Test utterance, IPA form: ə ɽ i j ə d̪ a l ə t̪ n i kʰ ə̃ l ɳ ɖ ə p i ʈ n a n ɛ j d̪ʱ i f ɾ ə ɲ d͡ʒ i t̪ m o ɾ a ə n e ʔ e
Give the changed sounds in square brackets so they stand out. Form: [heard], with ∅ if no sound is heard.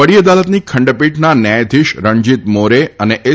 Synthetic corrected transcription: ə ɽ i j ə d̪ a l ə t̪ n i kʰ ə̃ [∅] ɳ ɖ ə p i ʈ n a n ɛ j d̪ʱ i [ʃ] ɾ ə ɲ d͡ʒ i t̪ m o ɾ [e] ə n e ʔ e